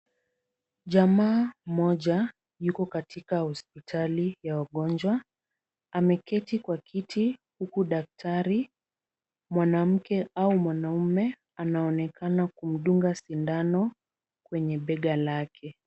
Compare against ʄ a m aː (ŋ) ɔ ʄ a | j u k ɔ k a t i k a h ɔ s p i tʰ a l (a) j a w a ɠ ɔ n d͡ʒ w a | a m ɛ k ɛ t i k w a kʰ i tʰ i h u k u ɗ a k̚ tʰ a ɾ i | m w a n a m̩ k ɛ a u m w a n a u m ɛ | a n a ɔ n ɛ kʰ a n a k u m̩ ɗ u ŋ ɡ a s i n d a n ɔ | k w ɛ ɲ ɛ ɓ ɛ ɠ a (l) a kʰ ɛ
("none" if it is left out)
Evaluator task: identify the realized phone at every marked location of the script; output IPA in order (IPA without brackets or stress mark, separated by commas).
m, i, l